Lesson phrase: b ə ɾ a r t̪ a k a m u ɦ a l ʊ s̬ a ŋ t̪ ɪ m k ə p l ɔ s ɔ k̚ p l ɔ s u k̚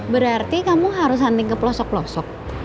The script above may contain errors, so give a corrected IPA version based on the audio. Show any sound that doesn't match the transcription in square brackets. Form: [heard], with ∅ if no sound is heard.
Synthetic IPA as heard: b ə ɾ a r t̪ [i] k a m u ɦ a [ɾ] ʊ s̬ a [n] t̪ ɪ [ŋ] k ə p l ɔ s ɔ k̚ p l ɔ s [ɔ] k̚